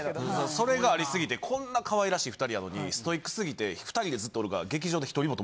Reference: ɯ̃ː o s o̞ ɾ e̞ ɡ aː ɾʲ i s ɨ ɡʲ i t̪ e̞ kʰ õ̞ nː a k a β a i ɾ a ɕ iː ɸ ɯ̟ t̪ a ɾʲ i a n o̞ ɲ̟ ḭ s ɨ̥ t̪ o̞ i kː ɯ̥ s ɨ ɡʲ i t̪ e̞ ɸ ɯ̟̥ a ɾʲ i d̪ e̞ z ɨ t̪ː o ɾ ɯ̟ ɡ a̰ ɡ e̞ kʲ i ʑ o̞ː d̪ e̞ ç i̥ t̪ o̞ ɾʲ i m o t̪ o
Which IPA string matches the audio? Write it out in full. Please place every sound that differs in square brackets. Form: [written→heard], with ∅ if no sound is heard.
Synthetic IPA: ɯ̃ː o s o̞ ɾ e̞ ɡ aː ɾʲ i s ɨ ɡʲ i t̪ e̞ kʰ õ̞ nː a k a β a i ɾ a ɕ iː ɸ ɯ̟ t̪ a ɾʲ i a n o̞ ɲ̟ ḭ s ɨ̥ t̪ o̞ i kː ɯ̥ s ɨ ɡʲ i t̪ e̞ ɸ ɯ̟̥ a ɾʲ i d̪ e̞ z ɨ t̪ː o ɾ ɯ̟ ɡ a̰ ɡ e̞ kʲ i ʑ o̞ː d̪ e̞ ç i̥ t̪ o̞ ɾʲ i m o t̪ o